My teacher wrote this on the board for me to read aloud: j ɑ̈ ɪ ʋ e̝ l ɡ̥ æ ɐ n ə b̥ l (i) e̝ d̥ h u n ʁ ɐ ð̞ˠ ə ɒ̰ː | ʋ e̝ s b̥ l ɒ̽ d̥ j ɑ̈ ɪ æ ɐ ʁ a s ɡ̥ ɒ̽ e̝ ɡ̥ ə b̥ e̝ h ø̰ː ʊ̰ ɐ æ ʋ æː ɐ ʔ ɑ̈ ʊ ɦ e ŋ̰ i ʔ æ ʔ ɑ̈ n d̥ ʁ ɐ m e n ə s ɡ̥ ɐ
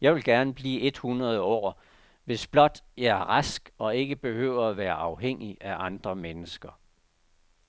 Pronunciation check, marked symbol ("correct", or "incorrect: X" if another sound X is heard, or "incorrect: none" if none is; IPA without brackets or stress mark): incorrect: iː